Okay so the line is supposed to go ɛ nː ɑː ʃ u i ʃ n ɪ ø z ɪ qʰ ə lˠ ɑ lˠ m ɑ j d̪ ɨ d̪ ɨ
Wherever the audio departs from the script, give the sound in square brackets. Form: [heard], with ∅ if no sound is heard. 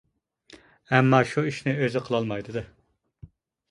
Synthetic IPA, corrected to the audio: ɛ [mː] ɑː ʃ u i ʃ n ɪ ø z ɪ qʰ ə lˠ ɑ lˠ m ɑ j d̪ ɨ d̪ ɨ